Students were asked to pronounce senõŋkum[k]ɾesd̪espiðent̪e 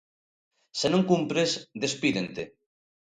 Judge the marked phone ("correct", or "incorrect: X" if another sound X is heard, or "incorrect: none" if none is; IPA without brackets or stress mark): incorrect: p